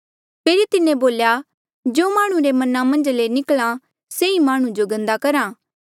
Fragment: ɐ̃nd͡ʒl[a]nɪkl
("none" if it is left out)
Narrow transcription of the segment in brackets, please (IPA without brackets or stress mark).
e